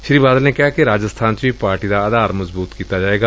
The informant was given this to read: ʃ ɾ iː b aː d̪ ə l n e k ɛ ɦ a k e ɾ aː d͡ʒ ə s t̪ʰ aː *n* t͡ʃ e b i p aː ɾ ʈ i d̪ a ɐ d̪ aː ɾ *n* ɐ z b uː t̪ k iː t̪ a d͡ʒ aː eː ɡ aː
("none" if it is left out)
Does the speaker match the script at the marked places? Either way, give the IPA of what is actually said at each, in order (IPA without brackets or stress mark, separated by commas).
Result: n, m